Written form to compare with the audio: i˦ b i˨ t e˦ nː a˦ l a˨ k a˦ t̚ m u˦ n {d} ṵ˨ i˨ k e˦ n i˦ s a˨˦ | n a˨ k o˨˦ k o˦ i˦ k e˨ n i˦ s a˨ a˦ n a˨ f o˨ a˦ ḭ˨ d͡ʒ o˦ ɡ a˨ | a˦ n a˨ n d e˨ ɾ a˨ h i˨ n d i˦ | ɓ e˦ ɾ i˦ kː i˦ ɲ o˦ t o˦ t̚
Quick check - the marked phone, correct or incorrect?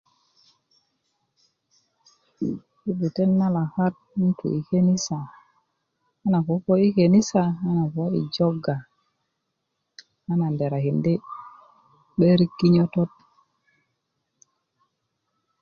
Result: incorrect